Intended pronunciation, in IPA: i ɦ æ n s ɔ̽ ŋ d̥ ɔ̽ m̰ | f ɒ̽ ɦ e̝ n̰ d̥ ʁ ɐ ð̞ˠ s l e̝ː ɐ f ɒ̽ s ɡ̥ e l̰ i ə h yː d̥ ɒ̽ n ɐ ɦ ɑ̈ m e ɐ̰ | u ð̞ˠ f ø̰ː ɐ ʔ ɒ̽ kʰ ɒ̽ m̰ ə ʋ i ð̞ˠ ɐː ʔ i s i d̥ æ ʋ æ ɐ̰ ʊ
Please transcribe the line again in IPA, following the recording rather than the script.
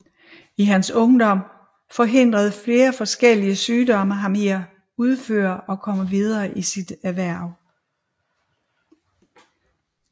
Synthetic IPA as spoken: i ɦ æ n s ɔ̽ ŋ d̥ ɒ̽ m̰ | f ɒ̽ ɦ e̝ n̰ d̥ ʁ ɐ ð̞ˠ f l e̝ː ɐ f ɒ̽ s ɡ̥ e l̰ i ə s yː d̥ ɒ̽ m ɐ ɦ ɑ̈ m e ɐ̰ | u ð̞ˠ f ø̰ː ɐ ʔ ɒ̽ kʰ ɒ̽ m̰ ə ʋ i ð̞ˠ ɐː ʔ i s i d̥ æ ʋ æ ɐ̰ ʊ